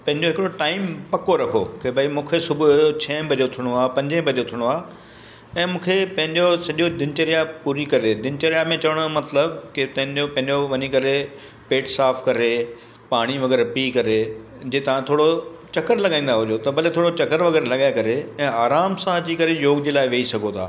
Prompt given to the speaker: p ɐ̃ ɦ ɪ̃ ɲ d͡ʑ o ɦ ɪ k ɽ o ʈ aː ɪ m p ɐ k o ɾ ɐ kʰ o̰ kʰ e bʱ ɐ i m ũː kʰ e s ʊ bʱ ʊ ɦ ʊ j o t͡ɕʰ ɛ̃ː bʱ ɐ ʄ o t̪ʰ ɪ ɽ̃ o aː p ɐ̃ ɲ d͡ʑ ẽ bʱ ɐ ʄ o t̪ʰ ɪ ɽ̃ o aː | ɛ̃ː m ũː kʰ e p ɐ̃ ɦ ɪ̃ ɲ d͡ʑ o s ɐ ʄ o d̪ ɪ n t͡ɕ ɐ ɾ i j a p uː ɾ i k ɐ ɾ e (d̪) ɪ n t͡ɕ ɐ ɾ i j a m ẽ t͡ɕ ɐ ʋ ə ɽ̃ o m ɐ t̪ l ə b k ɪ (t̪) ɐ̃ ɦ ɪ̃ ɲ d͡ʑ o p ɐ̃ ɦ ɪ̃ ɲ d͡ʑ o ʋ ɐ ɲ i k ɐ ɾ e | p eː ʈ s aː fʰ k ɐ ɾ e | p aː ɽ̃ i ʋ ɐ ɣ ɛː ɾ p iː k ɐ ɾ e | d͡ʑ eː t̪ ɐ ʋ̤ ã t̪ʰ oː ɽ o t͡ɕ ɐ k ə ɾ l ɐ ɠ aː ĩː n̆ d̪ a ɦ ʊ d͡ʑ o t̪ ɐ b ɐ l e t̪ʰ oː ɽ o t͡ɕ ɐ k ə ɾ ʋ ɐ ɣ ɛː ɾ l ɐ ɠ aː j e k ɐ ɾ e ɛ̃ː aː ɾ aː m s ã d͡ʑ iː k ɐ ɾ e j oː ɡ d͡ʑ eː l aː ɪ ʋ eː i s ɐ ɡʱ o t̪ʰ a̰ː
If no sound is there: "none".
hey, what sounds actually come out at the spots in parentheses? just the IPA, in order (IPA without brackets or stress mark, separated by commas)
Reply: d̪, t̪